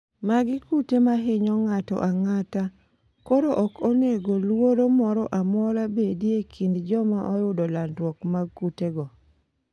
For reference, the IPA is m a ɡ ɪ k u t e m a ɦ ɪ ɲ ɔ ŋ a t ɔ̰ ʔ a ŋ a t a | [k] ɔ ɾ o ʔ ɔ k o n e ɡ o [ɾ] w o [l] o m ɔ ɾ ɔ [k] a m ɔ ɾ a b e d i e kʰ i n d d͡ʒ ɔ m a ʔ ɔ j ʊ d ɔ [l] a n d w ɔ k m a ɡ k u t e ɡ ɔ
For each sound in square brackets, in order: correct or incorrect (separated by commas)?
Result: correct, incorrect, incorrect, incorrect, correct